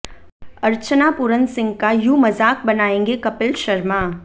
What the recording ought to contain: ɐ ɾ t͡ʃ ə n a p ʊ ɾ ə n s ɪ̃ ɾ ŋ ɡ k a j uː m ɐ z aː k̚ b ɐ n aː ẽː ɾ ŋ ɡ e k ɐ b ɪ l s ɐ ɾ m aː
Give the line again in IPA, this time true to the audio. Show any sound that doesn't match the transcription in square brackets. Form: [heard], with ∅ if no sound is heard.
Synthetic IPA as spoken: ɐ ɾ t͡ʃ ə n a p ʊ ɾ ə n s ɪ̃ [∅] ŋ ɡ k a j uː m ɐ z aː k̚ b ɐ n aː ẽː [∅] ŋ ɡ e k ɐ [p] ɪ l [ʃ] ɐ ɾ m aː

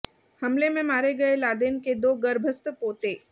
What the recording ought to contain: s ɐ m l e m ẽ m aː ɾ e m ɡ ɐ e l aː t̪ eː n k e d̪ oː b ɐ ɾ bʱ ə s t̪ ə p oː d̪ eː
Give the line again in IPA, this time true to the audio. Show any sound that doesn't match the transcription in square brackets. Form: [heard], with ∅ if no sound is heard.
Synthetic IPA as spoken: [h] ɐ m l e m ẽ m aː ɾ e [∅] ɡ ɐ e l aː [d̪] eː n k e d̪ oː [ɡ] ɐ ɾ bʱ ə s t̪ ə p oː [t̪] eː

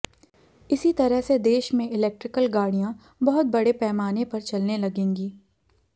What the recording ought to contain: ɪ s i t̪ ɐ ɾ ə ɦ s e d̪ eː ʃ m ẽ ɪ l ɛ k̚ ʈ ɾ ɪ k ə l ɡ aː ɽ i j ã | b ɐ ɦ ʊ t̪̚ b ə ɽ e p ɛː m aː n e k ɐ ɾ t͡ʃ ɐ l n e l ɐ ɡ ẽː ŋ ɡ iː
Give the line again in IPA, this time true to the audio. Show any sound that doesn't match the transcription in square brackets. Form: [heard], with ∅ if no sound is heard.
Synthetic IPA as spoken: ɪ s i t̪ ɐ ɾ ə ɦ s e d̪ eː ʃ m ẽ ɪ l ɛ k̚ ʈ ɾ ɪ k ə l ɡ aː ɽ i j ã | b ɐ ɦ ʊ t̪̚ b [ɐ] ɽ e p ɛː m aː n e [p] ɐ ɾ t͡ʃ ɐ l n e l ɐ ɡ ẽː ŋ ɡ iː

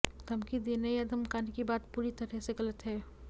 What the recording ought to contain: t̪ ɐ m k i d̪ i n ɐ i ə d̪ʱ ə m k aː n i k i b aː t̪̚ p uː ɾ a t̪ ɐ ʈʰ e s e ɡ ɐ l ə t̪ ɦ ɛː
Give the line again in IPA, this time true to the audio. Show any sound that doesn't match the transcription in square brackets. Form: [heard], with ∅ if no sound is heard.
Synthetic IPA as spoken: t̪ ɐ m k i d̪ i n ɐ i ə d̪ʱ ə m k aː n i k i b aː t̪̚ p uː ɾ [i] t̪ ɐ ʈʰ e s e ɡ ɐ l ə t̪ ɦ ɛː

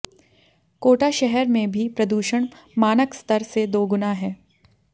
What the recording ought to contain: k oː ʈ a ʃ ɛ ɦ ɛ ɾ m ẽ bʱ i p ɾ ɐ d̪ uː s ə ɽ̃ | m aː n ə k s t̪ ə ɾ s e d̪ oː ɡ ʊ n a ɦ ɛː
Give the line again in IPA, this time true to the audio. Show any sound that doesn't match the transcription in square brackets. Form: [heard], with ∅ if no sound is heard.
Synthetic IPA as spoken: k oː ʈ a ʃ ɛ ɦ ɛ ɾ m ẽ bʱ i p ɾ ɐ d̪ uː [ʃ] ə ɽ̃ | m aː n ə k s t̪ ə ɾ s e d̪ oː ɡ ʊ n a ɦ ɛː

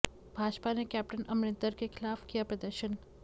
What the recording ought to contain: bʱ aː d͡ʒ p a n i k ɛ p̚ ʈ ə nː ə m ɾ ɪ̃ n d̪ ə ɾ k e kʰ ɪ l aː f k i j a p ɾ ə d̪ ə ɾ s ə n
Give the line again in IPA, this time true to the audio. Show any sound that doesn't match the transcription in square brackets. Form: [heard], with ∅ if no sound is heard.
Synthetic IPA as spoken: bʱ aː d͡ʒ p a n [e] k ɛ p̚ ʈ ə [n] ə m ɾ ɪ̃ n [t̪] ə ɾ k e kʰ ɪ l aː f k i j a p ɾ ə d̪ ə ɾ [ʃ] ə n

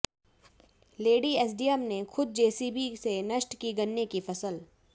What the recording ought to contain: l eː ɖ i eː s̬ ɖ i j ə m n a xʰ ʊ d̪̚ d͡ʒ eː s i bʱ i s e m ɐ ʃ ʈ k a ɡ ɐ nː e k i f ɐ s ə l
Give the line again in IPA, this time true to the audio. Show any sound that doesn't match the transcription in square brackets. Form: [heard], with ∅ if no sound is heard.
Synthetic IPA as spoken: l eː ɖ i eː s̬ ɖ i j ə m n [e] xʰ ʊ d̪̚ d͡ʒ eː s i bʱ i s e [n] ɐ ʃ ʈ k [i] ɡ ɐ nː e k i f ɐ s ə l

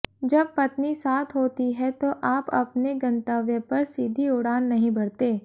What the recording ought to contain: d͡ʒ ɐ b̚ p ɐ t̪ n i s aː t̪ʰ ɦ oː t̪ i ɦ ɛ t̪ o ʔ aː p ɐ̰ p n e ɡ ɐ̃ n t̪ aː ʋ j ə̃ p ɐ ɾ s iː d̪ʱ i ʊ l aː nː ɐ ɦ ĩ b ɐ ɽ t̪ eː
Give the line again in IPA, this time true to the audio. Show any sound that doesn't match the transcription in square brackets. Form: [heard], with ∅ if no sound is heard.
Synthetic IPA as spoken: d͡ʒ ɐ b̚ p ɐ t̪ n i s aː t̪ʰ ɦ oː t̪ i ɦ ɛ t̪ o ʔ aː p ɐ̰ p n e ɡ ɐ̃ n t̪ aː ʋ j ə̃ p ɐ ɾ s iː d̪ʱ i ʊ [ɽ] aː nː ɐ ɦ ĩ b ɐ ɽ t̪ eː

